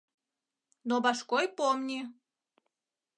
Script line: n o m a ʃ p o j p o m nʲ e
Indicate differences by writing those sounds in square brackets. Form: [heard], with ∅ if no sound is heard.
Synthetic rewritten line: n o [b] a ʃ [k] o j p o m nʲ [i]